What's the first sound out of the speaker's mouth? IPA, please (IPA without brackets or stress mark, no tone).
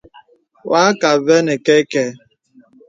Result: w